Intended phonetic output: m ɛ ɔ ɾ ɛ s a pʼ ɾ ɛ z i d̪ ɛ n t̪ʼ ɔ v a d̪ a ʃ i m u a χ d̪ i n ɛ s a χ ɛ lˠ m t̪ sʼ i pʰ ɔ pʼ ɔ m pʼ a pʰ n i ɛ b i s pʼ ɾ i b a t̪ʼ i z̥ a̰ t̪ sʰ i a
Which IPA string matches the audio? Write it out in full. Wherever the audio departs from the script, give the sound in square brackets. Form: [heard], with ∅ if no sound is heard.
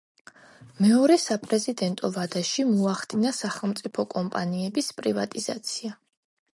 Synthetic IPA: m ɛ ɔ ɾ ɛ s a pʼ ɾ ɛ z i d̪ ɛ n t̪ʼ ɔ v a d̪ a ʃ i m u a χ d̪ i n [a] s a χ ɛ lˠ m t̪ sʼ i pʰ ɔ [kʼ] ɔ m pʼ a [∅] n i ɛ b i s pʼ ɾ i [v] a t̪ʼ i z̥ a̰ t̪ sʰ i a